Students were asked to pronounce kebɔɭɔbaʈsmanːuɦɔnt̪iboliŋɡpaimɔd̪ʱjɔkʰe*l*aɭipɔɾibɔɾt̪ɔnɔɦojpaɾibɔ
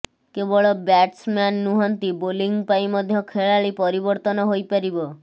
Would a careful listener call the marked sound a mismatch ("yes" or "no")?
yes